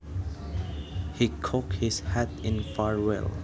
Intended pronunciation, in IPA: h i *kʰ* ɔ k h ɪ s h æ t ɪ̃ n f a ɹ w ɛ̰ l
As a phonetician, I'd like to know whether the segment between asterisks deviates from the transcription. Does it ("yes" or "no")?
no